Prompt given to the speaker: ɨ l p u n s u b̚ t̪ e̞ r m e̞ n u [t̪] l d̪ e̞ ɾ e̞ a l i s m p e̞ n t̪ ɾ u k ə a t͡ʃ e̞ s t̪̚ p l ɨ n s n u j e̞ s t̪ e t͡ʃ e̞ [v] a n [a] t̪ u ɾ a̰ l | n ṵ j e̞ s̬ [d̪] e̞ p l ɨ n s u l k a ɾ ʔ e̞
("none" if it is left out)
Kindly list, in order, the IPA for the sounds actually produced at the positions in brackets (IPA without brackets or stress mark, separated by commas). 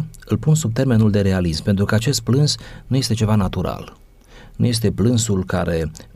none, v, a, t̪